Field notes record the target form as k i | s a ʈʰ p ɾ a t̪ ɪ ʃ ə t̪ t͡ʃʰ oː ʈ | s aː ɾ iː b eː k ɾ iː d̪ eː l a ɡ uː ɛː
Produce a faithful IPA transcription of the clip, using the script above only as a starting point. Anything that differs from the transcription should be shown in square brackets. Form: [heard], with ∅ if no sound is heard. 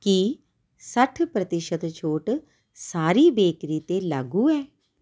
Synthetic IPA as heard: k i | s [ə] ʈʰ p ɾ [ə] t̪ ɪ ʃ ə t̪ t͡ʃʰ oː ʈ | s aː ɾ iː b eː k ɾ iː [t̪] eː l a ɡ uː ɛː